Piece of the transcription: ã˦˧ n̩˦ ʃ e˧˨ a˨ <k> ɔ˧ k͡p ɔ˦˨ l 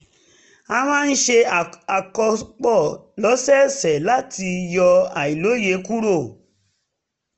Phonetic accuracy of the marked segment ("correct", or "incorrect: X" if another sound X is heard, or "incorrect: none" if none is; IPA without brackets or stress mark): correct